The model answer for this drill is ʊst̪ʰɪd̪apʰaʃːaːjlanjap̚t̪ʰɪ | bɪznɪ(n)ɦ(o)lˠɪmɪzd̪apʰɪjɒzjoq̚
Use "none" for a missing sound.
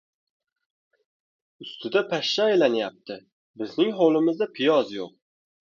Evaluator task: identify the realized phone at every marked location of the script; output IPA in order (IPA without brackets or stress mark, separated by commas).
ŋ, o